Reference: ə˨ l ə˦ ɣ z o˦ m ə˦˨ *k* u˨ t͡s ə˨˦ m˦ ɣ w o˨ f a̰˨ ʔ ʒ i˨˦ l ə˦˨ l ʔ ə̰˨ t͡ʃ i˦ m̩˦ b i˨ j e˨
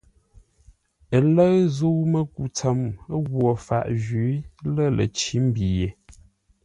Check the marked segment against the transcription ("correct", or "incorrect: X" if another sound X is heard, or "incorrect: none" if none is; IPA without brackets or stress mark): correct